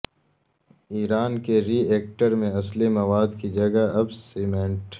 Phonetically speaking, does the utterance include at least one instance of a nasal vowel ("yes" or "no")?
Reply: yes